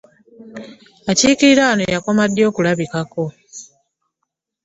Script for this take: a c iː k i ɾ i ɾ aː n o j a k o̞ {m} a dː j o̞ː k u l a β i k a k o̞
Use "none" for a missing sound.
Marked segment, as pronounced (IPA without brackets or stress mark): m